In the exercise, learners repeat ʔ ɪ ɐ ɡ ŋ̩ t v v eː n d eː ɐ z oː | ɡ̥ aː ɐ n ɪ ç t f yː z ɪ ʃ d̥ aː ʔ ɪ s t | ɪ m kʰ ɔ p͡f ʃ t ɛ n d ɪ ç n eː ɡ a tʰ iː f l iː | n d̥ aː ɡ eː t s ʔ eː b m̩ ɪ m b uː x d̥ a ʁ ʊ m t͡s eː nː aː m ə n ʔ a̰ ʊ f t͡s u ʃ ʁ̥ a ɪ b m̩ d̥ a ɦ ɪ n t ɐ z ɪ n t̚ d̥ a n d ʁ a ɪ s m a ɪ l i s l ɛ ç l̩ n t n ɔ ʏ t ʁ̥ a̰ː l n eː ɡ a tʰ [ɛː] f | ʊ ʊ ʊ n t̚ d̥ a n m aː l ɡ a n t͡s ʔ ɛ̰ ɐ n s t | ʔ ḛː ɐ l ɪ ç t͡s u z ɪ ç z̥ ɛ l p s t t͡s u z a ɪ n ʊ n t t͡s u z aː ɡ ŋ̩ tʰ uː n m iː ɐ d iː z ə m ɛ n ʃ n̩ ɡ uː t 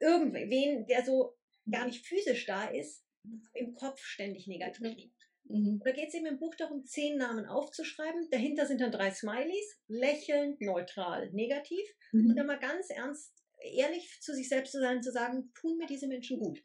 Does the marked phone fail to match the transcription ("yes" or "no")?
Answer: yes